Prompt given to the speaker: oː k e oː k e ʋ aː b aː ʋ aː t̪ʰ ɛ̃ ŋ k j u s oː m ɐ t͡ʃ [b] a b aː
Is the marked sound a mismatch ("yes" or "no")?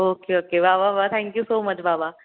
no